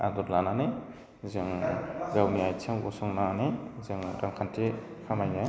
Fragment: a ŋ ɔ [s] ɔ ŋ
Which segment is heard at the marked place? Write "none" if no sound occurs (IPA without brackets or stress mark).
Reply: s